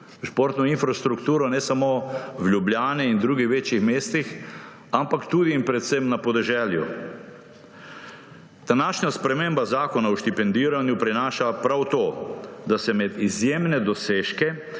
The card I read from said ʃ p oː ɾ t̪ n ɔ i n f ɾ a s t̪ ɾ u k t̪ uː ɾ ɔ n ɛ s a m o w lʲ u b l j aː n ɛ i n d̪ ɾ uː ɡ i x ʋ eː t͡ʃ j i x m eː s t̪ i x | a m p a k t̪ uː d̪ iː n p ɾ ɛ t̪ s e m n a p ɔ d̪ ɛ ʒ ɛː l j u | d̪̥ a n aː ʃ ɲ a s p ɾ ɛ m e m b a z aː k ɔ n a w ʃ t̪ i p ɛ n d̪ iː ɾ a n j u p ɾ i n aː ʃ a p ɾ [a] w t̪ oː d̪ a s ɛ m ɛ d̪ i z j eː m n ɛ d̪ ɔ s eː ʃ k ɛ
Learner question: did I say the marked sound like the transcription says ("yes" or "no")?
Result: yes